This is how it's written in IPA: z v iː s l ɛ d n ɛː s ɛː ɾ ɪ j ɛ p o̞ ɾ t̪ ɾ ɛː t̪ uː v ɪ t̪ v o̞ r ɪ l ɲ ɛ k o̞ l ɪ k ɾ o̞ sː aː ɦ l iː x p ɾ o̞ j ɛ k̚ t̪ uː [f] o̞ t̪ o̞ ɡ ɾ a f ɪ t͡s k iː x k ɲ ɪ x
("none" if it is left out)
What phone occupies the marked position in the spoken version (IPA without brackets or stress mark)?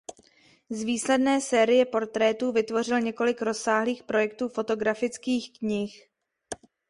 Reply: f